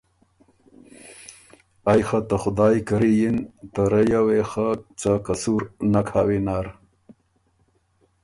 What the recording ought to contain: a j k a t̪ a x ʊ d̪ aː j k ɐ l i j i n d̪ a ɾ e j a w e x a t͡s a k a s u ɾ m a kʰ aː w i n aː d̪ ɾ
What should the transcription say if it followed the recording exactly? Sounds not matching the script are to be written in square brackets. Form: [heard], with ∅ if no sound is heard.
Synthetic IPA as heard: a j [x] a t̪ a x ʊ d̪ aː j k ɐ [ɾ] i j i n [t̪] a ɾ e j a w e x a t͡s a k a s u ɾ [n] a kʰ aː w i n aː [∅] ɾ